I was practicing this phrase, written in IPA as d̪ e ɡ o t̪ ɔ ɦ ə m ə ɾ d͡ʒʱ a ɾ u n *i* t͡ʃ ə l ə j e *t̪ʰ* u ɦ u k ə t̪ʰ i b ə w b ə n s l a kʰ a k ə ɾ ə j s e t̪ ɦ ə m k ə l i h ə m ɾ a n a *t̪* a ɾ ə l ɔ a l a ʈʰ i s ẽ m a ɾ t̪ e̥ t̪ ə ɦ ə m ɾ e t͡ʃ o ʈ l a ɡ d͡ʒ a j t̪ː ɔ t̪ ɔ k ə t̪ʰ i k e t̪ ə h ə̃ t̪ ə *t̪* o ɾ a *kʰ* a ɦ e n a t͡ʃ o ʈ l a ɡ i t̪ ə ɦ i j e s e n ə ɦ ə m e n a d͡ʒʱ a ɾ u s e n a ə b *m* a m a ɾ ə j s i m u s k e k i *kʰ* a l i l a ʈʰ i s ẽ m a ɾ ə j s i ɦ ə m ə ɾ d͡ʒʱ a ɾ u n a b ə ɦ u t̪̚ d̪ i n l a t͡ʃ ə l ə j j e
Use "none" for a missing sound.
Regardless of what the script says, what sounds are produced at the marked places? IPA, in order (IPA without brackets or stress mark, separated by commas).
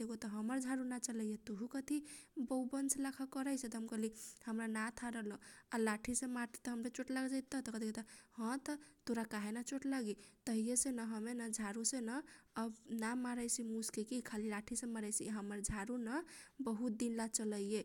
a, t̪, t̪ʰ, t̪, k, n, kʰ